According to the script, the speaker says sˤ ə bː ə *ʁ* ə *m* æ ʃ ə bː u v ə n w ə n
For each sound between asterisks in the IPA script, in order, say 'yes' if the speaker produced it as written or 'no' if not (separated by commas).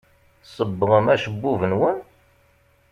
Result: yes, yes